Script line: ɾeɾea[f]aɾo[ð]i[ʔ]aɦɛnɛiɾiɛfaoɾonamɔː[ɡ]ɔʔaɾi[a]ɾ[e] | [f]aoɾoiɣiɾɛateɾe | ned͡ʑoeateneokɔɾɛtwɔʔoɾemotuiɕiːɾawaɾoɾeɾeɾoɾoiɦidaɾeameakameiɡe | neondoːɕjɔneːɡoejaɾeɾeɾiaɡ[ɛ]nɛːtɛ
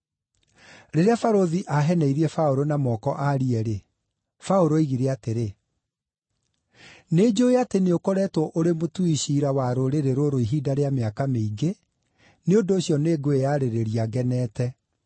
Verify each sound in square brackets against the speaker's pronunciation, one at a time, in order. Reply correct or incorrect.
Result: correct, correct, correct, incorrect, incorrect, correct, correct, correct

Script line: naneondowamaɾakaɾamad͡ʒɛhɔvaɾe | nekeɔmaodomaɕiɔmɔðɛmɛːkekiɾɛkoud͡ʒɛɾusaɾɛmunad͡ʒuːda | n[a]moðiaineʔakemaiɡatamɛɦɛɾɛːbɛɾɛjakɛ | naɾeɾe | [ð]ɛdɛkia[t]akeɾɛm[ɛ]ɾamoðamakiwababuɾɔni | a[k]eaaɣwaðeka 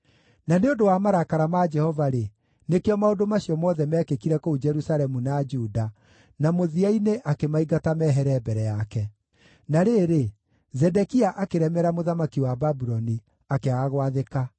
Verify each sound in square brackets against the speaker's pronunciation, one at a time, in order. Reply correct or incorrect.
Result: correct, incorrect, incorrect, correct, correct

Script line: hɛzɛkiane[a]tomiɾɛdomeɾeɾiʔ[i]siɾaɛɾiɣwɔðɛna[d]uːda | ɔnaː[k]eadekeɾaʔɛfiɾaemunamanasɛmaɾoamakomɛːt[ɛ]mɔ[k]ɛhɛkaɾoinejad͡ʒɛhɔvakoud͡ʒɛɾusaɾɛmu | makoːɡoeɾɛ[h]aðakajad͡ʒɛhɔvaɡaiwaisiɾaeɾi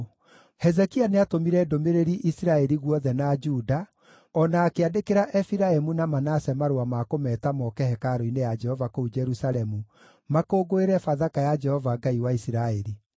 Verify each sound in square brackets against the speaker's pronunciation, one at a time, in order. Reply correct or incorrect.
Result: correct, correct, incorrect, correct, incorrect, correct, incorrect

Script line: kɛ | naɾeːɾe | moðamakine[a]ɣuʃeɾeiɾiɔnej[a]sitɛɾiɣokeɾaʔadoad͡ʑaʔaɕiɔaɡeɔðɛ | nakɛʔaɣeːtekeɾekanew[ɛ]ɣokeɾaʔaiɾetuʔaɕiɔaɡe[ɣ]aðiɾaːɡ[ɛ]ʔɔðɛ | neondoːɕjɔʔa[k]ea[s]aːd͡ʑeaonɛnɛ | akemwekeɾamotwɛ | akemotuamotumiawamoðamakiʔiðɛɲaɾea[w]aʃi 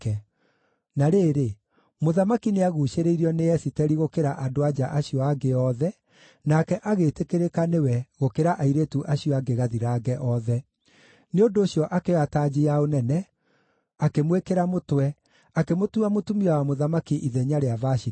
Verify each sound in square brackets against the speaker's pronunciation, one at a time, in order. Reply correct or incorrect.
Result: correct, incorrect, correct, correct, correct, correct, incorrect, incorrect

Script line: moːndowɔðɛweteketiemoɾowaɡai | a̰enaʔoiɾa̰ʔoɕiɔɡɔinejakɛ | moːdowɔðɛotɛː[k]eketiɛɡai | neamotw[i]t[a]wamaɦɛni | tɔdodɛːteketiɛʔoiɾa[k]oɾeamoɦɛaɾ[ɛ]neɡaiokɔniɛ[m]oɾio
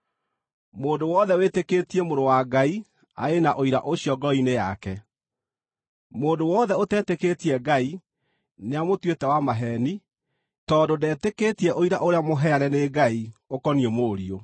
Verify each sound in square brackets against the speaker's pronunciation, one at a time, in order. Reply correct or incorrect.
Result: incorrect, incorrect, incorrect, incorrect, correct, correct

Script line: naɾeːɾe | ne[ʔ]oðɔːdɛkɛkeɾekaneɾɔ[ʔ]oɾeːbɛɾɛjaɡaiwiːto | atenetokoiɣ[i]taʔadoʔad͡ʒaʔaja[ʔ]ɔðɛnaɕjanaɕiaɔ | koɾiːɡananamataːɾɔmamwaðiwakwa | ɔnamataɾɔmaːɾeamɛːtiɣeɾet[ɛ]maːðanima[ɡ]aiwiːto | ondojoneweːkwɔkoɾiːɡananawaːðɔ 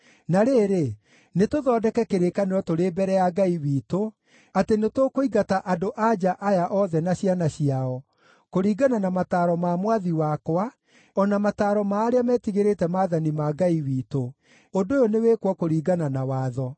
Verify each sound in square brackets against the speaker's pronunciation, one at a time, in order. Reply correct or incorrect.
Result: incorrect, incorrect, incorrect, correct, correct, correct

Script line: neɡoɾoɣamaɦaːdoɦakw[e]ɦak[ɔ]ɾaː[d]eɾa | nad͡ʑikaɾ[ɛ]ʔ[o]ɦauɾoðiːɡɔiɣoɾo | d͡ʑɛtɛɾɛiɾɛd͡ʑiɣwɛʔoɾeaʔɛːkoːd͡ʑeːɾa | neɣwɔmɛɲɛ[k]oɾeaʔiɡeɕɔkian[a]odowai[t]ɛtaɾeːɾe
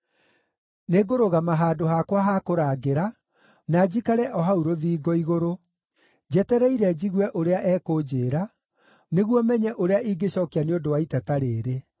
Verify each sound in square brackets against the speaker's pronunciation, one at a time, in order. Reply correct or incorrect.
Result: incorrect, incorrect, incorrect, correct, incorrect, incorrect, incorrect, correct

